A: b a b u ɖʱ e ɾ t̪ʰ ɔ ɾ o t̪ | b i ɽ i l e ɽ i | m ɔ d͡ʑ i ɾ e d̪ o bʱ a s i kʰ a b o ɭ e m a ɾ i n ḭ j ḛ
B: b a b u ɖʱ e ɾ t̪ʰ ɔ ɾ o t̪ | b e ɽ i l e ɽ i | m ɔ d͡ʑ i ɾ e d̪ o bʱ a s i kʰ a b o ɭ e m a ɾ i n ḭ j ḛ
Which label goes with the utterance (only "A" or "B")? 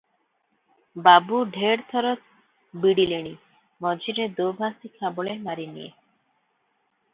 A